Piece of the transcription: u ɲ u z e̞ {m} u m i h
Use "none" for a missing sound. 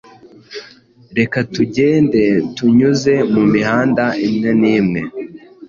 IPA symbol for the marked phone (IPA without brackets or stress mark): m